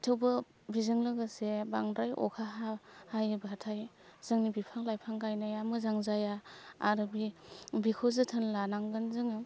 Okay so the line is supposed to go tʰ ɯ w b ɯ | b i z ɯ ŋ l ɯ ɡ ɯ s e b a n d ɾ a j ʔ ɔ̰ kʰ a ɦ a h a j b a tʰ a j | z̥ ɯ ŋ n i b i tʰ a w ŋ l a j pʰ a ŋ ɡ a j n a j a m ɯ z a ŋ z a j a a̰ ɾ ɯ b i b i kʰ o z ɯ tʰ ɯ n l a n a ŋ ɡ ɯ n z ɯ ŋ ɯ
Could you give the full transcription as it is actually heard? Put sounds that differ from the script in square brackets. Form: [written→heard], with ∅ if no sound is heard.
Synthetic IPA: tʰ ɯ w b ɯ | b i z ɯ ŋ l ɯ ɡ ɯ s e b a [n→ŋ] d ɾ a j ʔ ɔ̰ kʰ a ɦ a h a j b a tʰ a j | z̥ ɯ ŋ n i b i [tʰ→pʰ] a [w→∅] ŋ l a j pʰ a ŋ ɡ a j n a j a m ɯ z a ŋ z a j a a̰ ɾ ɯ b i b i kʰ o z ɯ tʰ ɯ n l a n a ŋ ɡ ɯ n z ɯ ŋ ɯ